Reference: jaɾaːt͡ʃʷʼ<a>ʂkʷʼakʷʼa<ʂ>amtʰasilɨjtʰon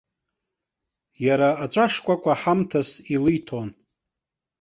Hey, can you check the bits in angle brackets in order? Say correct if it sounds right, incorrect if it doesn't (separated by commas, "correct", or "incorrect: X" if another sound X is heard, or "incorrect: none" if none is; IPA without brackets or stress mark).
correct, incorrect: ħ